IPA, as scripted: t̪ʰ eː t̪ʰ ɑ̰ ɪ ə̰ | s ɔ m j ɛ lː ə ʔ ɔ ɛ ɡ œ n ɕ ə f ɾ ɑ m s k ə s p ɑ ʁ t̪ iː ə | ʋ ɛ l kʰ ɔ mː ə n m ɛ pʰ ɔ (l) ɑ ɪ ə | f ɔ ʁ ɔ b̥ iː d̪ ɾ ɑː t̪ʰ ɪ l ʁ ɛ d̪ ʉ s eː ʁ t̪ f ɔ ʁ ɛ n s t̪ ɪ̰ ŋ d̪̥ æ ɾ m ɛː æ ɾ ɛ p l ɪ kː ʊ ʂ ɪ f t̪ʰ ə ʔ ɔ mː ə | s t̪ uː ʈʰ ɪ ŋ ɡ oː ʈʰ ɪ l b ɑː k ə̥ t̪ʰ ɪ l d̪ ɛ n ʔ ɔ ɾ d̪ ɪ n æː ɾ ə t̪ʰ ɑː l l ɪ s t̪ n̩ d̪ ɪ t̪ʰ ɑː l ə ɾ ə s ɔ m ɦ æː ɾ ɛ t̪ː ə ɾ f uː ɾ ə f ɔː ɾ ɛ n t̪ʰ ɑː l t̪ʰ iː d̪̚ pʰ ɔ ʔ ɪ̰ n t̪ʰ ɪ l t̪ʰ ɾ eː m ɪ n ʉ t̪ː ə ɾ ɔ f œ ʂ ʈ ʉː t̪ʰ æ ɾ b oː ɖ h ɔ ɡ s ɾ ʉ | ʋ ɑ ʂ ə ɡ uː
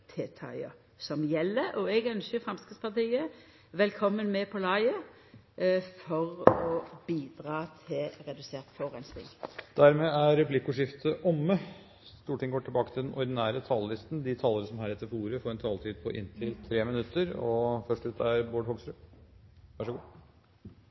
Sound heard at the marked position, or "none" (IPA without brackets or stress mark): l